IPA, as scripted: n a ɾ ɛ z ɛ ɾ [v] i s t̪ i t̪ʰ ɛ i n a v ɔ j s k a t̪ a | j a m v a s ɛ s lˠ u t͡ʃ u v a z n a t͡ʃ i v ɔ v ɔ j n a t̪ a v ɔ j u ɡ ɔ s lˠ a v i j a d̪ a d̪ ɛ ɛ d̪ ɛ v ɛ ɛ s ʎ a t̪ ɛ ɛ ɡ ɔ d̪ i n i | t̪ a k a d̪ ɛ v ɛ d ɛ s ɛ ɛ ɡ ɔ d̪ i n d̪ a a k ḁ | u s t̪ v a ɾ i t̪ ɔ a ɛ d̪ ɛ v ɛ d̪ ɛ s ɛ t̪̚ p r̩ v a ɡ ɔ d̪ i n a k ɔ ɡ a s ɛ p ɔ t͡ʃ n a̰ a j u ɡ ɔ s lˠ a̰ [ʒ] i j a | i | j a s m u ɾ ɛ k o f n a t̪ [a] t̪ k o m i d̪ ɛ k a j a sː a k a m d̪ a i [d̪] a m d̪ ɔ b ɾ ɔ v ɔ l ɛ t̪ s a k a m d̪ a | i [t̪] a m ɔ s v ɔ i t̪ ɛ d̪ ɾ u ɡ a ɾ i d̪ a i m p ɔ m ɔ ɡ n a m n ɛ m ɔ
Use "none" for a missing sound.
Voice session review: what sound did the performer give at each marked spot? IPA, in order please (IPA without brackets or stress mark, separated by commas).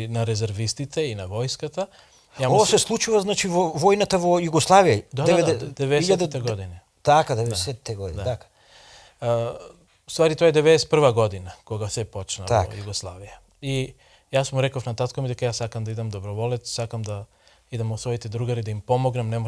v, v, a, d̪, d̪